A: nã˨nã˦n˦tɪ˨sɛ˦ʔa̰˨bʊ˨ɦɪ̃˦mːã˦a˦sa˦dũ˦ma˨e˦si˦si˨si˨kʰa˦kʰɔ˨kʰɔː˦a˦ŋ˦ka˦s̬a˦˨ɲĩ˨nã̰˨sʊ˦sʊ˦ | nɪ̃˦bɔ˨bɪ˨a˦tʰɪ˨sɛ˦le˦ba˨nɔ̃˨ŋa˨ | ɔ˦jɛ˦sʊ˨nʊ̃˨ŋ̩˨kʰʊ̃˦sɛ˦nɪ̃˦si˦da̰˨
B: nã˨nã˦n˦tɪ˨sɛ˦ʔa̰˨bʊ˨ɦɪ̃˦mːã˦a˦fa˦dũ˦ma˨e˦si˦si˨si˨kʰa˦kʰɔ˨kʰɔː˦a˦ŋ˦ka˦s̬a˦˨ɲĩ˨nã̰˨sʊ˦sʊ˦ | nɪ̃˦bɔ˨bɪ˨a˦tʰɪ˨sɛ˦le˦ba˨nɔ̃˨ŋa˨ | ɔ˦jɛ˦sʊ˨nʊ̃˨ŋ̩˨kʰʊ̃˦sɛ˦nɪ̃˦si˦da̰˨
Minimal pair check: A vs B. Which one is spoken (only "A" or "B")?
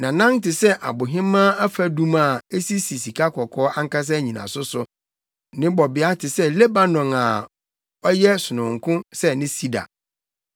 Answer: B